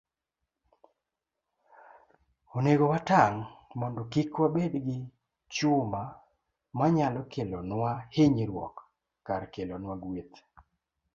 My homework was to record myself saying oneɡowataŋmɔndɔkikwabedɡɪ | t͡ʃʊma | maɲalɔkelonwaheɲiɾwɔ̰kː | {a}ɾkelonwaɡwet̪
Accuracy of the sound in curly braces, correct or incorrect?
correct